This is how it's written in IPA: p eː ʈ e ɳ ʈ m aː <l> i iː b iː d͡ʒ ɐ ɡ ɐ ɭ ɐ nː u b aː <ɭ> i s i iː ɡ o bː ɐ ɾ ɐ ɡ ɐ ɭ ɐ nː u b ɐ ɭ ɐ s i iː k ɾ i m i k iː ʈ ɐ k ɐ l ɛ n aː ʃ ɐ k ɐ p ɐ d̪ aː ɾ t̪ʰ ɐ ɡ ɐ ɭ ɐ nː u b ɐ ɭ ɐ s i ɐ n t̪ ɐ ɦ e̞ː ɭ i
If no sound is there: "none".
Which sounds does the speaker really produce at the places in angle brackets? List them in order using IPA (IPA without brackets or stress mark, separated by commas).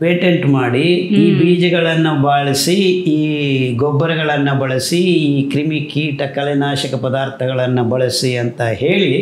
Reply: ɽ, ɭ